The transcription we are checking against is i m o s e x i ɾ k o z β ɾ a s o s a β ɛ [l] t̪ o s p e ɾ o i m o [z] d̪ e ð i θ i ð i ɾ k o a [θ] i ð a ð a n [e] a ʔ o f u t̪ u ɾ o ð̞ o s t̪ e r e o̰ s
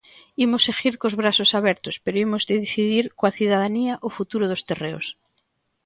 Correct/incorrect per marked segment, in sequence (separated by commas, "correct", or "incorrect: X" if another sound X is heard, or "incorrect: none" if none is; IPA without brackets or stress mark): incorrect: ɾ, correct, correct, incorrect: i